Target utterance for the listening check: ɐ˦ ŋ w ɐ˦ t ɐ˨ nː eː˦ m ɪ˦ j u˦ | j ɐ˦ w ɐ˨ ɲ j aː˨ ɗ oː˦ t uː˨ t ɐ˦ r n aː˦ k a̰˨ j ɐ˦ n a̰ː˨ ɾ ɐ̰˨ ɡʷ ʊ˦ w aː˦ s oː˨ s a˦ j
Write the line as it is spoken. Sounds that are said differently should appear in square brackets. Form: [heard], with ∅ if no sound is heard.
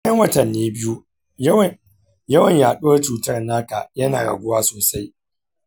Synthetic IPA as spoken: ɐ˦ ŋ w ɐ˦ t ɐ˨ nː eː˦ [b] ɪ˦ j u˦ | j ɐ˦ w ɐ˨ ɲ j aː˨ ɗ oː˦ [t͡ʃ] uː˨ t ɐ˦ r n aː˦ k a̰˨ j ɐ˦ n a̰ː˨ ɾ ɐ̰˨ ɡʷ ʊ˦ w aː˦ s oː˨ s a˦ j